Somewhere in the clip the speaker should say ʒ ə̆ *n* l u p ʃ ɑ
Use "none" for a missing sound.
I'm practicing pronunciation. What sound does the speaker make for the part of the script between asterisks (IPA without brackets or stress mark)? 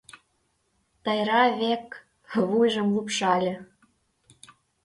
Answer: m